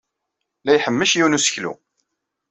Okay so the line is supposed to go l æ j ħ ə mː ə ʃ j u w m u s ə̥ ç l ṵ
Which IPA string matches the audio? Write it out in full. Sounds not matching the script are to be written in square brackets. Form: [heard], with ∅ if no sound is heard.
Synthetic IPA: l æ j ħ ə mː ə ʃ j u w [n] u s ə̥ ç l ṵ